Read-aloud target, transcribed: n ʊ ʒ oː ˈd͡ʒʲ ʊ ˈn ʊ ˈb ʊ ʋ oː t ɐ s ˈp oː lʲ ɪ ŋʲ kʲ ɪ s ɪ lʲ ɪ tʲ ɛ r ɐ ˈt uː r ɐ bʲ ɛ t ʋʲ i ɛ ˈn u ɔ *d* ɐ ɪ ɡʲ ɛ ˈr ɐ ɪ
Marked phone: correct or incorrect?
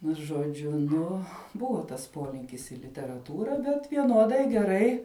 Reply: correct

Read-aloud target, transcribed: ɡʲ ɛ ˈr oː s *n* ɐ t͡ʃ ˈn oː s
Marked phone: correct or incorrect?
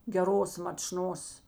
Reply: incorrect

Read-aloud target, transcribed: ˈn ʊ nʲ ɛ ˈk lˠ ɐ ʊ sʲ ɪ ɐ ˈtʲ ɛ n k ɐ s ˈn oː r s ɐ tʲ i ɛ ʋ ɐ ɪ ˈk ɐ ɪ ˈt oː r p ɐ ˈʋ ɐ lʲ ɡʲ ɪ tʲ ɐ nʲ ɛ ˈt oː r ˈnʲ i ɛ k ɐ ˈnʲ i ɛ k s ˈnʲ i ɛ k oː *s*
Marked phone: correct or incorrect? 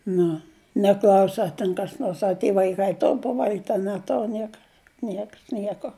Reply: incorrect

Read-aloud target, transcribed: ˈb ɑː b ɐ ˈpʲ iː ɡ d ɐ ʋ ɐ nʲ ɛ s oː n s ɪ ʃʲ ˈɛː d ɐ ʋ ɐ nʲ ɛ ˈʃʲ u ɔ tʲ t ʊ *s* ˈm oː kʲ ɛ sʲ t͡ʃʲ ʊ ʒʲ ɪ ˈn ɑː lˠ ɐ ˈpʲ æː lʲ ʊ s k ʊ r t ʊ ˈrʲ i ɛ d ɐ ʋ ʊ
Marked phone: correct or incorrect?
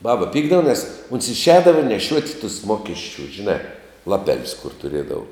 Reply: correct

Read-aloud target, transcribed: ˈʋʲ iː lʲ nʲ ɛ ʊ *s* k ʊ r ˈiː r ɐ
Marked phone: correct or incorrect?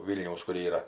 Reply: correct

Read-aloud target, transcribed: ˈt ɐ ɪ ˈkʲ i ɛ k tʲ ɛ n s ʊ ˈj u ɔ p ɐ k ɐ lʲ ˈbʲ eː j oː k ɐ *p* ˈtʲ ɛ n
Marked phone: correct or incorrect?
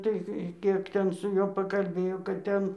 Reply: incorrect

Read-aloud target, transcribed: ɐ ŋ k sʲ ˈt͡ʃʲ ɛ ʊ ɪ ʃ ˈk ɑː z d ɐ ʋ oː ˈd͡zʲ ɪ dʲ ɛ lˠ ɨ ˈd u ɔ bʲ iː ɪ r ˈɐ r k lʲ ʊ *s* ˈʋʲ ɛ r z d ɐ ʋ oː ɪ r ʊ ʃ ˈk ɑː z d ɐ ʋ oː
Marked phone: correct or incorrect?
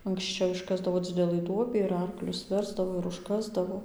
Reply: correct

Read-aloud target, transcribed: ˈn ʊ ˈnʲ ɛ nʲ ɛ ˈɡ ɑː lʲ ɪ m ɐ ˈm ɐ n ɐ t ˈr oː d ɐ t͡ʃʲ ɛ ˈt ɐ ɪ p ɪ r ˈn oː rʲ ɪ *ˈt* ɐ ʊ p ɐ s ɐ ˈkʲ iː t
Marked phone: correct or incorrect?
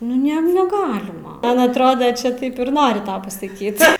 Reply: correct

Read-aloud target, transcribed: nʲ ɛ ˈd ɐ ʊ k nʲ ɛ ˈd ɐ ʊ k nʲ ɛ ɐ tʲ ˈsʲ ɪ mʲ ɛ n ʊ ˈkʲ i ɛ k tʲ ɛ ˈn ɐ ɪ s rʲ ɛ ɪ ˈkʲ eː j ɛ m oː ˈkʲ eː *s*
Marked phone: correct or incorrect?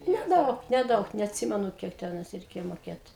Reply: incorrect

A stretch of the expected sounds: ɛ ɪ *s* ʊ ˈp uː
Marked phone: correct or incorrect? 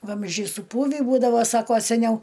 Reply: correct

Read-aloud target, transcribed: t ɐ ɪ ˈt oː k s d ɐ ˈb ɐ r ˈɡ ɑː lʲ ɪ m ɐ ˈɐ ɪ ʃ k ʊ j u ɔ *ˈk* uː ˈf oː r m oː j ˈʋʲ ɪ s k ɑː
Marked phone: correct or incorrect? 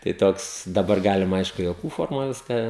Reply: correct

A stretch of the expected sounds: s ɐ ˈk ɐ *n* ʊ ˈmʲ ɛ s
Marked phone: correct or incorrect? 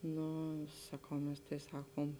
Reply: incorrect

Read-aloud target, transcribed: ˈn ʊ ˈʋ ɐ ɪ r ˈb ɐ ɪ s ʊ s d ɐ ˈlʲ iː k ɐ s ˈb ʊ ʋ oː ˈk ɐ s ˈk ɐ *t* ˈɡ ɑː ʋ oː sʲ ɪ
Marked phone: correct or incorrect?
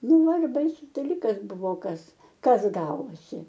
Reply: incorrect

